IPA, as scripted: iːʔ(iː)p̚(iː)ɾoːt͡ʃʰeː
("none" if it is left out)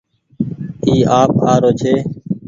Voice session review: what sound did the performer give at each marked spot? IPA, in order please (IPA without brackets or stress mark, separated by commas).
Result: aː, aː